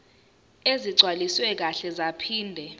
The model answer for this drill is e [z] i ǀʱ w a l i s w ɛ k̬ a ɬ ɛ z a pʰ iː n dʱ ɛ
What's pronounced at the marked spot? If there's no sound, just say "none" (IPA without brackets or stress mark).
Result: z